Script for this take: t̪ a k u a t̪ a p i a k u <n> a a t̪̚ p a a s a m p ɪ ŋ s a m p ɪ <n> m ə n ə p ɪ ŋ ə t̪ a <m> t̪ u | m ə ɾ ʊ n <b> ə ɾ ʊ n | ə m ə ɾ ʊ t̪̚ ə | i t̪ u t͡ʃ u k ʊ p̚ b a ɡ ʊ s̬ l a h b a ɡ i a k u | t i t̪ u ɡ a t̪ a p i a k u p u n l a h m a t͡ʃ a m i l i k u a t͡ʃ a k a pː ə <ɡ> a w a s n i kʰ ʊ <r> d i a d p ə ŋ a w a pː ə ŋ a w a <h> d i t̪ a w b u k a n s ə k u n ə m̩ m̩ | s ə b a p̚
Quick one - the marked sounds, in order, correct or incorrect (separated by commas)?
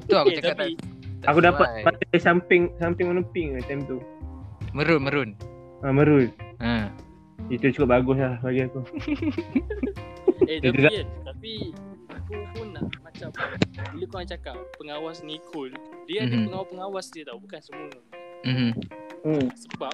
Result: incorrect, incorrect, correct, incorrect, incorrect, incorrect, incorrect